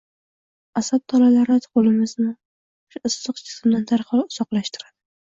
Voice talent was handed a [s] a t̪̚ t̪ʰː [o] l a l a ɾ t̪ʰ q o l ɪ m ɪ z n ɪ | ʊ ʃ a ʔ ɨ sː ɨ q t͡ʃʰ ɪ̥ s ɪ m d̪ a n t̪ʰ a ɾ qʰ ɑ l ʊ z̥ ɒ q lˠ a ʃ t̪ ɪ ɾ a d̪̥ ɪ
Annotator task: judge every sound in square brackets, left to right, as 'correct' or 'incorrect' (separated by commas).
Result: correct, incorrect